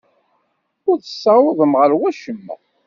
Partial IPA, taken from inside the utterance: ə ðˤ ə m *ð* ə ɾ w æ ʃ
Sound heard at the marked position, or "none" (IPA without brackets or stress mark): ʁ